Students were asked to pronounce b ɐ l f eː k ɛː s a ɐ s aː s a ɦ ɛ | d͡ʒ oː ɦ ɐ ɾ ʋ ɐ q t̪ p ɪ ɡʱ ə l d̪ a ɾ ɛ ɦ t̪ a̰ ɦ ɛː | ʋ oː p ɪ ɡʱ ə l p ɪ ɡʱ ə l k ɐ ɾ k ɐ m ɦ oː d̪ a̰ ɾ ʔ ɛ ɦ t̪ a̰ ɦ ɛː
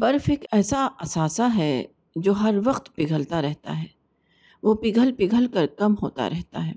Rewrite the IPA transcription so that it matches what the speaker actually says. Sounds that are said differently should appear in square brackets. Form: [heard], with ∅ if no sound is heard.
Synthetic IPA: b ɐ [ɾ] f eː k ɛː s a ɐ s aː s a ɦ ɛ | d͡ʒ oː ɦ ɐ ɾ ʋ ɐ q t̪ p ɪ ɡʱ ə l [t̪] a ɾ ɛ ɦ t̪ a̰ ɦ ɛː | ʋ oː p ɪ ɡʱ ə l p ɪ ɡʱ ə l k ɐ ɾ k ɐ m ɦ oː [t̪] a̰ ɾ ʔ ɛ ɦ t̪ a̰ ɦ ɛː